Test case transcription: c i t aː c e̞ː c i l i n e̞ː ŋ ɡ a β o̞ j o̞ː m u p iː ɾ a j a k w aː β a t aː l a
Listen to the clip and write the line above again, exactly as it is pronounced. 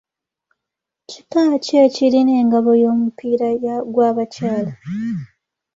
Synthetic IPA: c i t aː c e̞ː c i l i n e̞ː ŋ ɡ a β o̞ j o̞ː m u p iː ɾ a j a ɡ w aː β a c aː l a